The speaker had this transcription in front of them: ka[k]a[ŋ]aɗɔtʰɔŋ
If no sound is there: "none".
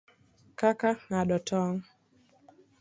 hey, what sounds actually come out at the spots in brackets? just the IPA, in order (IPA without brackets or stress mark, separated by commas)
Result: k, ŋ